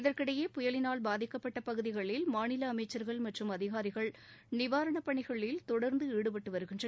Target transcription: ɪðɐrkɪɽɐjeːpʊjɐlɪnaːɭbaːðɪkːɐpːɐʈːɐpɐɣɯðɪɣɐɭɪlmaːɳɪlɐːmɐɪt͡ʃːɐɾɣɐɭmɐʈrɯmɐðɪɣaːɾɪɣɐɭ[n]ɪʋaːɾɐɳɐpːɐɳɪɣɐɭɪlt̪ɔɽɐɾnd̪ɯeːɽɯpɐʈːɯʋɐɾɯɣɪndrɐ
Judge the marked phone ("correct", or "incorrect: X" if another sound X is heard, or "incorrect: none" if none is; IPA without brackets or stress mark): correct